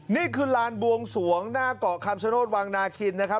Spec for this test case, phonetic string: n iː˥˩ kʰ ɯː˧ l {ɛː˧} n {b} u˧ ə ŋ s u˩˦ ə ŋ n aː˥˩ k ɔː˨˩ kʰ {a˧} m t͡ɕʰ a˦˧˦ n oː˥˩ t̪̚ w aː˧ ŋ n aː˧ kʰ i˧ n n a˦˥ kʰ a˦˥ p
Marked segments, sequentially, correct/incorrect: incorrect, correct, correct

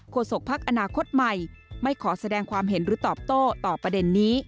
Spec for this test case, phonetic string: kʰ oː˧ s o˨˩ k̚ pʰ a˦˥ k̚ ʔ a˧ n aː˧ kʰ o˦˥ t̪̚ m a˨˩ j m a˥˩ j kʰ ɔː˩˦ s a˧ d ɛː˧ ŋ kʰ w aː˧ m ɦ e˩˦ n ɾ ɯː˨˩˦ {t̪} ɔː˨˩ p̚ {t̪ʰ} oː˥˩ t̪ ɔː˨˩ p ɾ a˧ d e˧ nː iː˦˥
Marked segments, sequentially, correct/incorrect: correct, incorrect

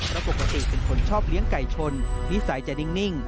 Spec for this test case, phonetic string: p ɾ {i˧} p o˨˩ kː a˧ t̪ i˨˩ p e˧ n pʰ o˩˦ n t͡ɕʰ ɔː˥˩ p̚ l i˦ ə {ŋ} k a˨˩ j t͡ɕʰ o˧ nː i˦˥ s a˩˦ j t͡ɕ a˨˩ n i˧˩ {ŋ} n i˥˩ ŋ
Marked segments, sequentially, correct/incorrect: incorrect, correct, correct

